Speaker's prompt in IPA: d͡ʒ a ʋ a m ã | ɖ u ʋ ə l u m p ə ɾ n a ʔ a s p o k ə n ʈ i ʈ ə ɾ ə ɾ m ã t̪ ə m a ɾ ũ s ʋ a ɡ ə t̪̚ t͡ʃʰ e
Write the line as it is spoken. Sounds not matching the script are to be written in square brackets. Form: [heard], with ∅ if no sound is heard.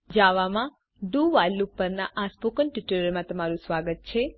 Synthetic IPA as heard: d͡ʒ a ʋ a m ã | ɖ u ʋ [a] l u [∅] p ə ɾ n a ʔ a s p o k ə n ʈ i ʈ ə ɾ ə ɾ m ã t̪ ə m a ɾ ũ s ʋ a ɡ ə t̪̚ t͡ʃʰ e